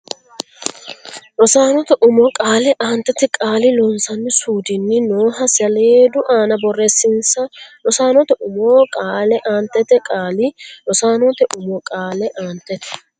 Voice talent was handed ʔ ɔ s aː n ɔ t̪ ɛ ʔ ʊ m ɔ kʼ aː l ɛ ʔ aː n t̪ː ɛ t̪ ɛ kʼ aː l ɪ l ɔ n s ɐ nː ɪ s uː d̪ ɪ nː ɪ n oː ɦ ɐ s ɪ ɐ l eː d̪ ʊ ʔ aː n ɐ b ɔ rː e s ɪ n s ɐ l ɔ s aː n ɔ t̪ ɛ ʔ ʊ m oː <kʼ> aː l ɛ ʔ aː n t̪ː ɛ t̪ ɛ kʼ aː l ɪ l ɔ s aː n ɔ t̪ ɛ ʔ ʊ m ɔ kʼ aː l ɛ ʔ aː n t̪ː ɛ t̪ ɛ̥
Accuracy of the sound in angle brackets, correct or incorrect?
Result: correct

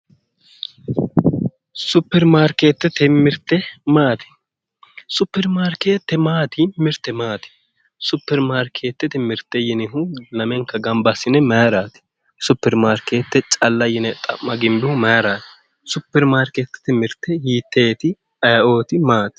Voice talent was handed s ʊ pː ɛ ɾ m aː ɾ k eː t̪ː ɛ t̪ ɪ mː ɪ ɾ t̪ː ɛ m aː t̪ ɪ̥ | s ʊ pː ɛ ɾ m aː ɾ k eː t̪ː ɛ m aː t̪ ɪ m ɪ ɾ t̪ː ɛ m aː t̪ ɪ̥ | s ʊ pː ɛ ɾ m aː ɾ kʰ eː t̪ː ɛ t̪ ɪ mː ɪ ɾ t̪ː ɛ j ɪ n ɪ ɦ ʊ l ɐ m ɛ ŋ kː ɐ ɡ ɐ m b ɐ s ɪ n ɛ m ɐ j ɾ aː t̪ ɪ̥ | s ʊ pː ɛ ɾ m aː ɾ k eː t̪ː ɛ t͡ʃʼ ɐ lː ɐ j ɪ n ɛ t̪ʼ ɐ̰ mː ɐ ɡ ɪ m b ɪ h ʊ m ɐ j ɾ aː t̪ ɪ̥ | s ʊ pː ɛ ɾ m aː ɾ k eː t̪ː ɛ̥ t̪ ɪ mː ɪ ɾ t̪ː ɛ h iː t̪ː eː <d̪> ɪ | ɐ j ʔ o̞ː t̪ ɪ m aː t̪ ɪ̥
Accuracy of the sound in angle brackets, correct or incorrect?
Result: incorrect: t̪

